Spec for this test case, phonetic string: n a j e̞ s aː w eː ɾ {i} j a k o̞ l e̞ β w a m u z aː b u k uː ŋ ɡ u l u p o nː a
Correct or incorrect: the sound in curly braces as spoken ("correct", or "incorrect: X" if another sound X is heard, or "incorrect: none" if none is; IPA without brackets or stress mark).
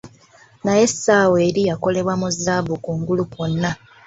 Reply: correct